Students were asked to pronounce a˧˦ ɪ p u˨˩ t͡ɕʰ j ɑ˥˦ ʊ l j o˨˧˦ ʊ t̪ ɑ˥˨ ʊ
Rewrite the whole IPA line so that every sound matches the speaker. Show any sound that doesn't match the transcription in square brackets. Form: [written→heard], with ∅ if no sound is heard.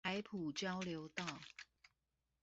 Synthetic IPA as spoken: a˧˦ ɪ [p→pʰ] u˨˩ [t͡ɕʰ→t͡ɕ] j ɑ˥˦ ʊ l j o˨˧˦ ʊ t̪ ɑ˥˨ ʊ